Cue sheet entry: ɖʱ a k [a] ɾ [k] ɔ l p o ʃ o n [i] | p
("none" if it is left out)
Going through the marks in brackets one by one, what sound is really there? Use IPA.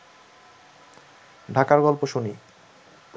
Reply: a, ɡ, i

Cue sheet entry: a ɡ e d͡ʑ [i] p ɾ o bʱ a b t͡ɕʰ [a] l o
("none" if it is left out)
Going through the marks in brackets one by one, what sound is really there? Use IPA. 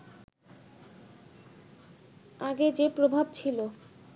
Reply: e, i

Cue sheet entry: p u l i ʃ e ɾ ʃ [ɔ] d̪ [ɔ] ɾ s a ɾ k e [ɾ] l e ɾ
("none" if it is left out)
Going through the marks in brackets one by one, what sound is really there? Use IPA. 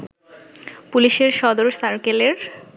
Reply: ɔ, o, none

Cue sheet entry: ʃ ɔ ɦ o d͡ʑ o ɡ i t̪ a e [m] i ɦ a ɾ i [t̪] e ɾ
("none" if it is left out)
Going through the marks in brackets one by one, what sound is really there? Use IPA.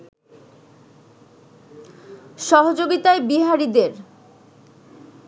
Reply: b, d̪

